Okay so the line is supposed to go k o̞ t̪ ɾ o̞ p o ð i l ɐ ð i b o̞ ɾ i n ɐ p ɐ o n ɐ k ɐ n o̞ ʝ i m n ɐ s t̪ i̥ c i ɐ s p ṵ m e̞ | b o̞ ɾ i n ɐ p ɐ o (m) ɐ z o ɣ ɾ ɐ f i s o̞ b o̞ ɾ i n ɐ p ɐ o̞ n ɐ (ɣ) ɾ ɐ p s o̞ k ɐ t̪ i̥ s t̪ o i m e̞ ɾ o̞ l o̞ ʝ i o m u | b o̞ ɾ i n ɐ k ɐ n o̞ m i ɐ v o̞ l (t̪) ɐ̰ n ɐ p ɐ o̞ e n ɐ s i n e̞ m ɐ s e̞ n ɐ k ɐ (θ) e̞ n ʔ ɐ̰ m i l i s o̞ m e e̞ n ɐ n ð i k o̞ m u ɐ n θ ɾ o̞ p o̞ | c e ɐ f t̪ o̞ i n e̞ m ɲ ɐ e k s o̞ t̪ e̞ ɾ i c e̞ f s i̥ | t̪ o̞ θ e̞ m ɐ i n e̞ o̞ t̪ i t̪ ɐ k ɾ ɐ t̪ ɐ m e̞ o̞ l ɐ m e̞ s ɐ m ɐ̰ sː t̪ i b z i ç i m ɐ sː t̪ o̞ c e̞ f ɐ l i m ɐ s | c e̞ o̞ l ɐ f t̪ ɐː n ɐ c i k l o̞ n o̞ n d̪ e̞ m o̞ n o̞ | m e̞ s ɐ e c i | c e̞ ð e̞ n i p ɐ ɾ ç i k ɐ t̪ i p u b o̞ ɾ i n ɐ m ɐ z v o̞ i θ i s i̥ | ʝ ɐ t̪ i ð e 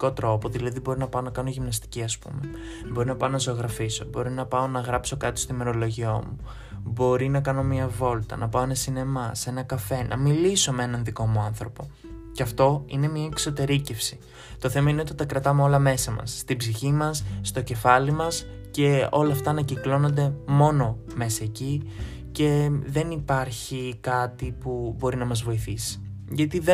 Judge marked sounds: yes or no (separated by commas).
no, yes, yes, no